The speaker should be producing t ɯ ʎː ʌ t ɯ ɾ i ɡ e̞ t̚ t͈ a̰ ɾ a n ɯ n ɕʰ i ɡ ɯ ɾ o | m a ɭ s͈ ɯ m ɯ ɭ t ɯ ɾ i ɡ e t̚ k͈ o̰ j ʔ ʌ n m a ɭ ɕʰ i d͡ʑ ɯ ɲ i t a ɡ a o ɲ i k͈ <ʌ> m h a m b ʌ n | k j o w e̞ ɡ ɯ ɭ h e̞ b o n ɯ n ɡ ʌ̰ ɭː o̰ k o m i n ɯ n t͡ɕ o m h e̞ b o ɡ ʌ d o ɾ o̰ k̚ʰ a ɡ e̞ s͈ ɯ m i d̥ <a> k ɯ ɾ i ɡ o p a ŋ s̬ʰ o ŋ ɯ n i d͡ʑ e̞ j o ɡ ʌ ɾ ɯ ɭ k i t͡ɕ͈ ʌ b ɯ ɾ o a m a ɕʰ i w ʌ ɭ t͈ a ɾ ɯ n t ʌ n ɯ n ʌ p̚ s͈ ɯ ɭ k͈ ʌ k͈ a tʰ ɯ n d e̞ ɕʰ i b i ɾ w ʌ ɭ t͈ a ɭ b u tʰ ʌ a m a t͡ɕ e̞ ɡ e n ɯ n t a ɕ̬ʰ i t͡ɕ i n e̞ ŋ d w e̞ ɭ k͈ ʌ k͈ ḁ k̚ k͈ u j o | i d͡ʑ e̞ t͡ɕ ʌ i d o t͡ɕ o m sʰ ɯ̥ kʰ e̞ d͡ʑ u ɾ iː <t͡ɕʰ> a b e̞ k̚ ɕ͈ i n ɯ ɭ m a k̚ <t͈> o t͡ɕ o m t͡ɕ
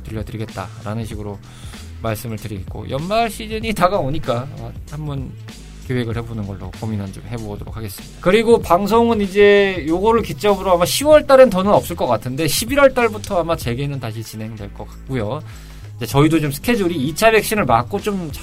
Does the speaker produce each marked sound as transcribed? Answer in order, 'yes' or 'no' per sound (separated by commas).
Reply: no, yes, yes, no